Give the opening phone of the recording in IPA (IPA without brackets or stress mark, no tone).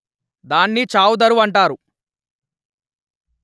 d̪